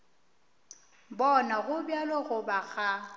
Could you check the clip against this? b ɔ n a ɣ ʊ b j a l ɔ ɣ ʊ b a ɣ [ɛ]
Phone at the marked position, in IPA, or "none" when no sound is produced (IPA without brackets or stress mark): a